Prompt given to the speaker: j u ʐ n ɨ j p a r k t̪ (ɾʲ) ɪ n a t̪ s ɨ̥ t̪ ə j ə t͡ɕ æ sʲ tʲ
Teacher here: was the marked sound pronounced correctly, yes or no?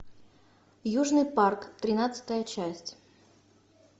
yes